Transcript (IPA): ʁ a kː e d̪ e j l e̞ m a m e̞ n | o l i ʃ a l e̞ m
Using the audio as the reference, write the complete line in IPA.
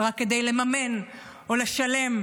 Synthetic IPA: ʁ a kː e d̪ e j l e̞ m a m e̞ n | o l e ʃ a l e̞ m